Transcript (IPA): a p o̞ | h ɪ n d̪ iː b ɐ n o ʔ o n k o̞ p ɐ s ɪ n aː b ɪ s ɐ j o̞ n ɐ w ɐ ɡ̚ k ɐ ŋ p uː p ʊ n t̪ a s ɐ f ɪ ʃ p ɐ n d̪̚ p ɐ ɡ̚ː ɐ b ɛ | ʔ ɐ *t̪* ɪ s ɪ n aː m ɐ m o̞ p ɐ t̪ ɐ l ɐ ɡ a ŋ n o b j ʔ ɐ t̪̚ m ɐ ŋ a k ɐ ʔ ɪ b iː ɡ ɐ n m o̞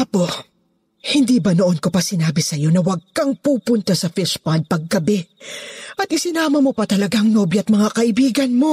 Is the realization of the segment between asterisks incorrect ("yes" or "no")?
no